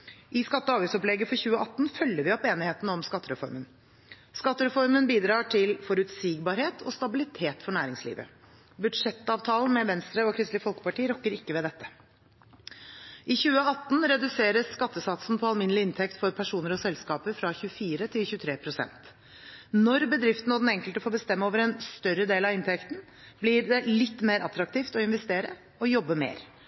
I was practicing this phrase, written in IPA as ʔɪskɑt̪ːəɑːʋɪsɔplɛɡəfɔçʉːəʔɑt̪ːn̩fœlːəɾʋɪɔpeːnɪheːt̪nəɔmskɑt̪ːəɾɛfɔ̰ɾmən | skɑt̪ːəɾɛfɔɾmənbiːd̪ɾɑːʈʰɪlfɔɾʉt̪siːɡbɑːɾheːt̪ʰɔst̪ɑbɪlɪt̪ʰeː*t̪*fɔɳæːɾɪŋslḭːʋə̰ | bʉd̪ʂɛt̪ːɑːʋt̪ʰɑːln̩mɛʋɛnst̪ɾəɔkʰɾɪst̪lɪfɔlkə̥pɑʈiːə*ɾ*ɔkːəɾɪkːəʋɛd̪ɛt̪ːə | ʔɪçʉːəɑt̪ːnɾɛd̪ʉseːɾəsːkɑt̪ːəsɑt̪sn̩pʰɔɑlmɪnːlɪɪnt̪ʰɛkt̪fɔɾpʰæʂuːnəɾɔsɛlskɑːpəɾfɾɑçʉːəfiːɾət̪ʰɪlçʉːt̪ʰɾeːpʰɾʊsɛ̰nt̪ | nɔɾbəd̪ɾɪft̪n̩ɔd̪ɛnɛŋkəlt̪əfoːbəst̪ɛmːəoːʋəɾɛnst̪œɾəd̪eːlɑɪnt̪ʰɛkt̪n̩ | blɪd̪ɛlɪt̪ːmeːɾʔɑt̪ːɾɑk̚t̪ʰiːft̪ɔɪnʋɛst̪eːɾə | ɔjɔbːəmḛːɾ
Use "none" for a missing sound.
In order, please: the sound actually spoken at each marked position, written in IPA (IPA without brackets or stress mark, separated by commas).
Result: t̪, ɾ